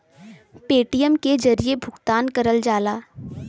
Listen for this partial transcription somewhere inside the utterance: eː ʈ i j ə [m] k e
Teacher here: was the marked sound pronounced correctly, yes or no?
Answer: yes